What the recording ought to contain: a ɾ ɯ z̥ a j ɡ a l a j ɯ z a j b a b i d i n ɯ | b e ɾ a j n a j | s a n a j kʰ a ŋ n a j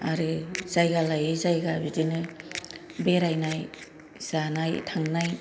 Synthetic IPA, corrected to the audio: a ɾ ɯ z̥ a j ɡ a l a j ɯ z a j ɡ a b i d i n ɯ | b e ɾ a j n a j | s a n a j tʰ a ŋ n a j